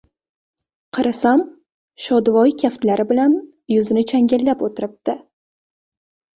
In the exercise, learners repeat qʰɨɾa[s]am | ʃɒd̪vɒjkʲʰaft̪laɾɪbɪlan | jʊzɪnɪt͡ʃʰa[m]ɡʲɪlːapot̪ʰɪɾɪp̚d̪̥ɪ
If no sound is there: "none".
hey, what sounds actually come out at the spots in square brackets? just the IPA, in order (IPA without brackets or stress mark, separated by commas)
s, ŋ